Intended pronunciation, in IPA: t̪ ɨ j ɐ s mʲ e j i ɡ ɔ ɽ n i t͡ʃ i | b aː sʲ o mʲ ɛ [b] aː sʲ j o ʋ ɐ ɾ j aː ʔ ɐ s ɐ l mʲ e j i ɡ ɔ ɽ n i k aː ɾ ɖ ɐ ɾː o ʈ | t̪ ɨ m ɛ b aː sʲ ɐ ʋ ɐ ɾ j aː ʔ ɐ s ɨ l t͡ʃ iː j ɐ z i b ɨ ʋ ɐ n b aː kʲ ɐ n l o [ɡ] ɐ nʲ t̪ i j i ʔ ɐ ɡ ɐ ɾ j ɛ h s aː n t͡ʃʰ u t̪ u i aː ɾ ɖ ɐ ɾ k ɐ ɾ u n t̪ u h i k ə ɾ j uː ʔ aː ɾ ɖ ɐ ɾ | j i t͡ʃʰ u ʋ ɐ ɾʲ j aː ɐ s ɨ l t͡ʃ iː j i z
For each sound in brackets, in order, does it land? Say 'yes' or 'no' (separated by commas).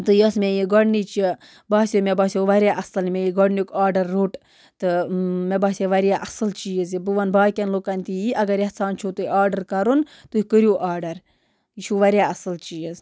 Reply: yes, no